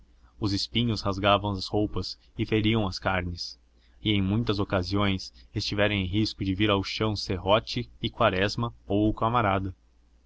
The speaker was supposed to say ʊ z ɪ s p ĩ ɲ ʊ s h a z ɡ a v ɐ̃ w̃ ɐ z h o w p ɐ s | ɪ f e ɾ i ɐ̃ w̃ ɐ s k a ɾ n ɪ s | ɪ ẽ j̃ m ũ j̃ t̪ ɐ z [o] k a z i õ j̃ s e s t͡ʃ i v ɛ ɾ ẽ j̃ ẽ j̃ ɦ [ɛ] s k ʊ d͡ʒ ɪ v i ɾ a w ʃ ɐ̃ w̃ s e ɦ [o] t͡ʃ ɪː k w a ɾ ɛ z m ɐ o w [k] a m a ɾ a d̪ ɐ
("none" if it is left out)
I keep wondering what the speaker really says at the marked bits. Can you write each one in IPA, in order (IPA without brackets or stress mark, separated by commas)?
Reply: o, i, ɔ, k